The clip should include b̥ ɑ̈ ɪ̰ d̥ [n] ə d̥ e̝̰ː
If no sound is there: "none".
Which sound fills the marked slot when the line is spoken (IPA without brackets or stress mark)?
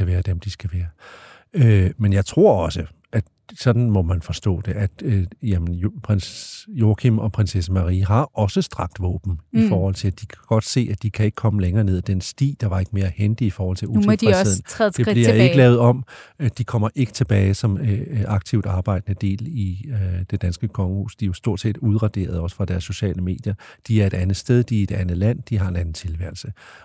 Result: n